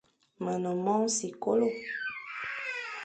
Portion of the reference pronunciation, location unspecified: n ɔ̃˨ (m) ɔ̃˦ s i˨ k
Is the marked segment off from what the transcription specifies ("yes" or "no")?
no